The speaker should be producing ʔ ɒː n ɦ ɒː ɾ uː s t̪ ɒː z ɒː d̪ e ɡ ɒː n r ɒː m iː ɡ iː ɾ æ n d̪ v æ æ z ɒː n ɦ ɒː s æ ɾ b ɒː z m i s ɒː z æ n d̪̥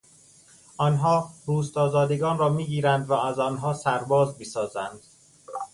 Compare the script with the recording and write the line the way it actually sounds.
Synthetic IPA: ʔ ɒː n ɦ ɒː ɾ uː s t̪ ɒː z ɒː d̪ e ɡ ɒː n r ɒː m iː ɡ iː ɾ æ n d̪ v æ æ z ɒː n ɦ ɒː s æ ɾ b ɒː z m i s ɒː z æ n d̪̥